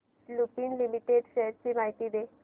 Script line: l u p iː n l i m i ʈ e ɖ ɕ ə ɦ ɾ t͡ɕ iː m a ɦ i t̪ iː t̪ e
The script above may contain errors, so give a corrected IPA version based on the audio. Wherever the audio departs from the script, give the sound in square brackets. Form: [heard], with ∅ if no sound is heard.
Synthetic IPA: l u p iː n l i m i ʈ e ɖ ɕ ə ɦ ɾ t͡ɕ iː m a ɦ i t̪ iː [d̪] e